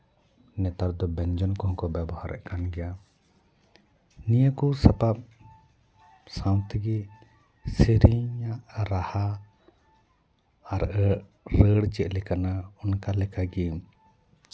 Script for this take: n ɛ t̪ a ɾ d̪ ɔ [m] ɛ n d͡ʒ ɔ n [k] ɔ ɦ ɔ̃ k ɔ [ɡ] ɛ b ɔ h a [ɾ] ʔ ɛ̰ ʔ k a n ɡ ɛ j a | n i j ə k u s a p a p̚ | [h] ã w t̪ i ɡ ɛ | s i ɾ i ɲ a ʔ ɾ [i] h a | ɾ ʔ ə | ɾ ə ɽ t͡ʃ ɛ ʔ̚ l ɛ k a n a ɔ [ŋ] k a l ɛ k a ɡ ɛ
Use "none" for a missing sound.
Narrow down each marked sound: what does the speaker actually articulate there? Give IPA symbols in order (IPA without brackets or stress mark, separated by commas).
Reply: b, k, b, ɾ, s, a, n